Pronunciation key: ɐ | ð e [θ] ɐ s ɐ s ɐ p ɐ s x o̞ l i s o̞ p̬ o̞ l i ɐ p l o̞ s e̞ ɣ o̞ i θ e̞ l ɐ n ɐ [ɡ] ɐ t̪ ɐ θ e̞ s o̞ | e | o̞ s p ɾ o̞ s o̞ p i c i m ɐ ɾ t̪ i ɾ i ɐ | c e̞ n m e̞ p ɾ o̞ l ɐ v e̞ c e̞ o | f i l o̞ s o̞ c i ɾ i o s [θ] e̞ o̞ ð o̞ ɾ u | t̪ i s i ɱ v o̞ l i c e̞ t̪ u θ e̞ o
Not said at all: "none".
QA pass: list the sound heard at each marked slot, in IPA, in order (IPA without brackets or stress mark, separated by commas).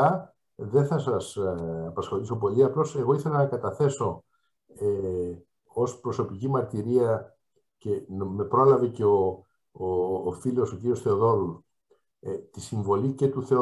θ, k, θ